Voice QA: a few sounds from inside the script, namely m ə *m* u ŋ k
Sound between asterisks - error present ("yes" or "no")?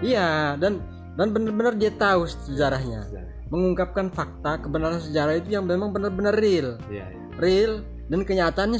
yes